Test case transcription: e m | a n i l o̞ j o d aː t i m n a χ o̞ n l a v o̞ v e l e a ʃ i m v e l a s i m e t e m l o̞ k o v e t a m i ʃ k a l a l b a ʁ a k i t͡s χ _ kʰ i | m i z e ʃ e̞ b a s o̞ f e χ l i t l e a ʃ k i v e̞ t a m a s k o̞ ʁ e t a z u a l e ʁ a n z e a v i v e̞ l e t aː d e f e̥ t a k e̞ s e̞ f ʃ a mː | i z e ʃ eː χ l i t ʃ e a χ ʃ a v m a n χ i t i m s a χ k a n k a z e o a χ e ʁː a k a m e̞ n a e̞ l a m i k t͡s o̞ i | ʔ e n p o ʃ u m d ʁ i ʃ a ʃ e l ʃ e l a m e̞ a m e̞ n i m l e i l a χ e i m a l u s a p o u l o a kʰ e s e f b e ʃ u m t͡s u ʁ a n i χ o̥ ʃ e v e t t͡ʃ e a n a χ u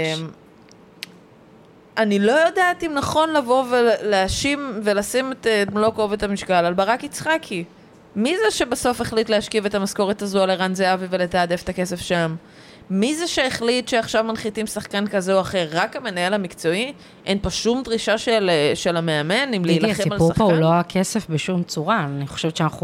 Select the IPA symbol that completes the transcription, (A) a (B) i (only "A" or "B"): A